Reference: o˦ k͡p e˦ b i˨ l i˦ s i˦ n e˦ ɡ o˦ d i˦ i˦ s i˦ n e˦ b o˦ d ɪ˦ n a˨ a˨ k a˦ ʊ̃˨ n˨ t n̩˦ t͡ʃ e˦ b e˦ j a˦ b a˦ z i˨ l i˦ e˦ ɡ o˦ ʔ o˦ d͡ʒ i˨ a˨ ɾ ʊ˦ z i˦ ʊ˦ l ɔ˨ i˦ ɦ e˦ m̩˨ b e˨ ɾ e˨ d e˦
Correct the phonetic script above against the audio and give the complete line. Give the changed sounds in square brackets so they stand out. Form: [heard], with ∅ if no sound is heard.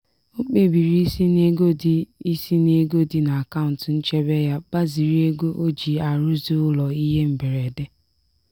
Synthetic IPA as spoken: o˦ k͡p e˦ b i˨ [ɾ] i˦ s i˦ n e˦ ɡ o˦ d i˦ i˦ s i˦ n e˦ [ɡ] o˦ d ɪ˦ n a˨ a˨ k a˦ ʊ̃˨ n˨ t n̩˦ t͡ʃ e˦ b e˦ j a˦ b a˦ z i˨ [ɾ] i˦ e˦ ɡ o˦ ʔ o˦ d͡ʒ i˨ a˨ ɾ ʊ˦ z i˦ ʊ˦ l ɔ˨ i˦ ɦ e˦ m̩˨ b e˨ ɾ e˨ d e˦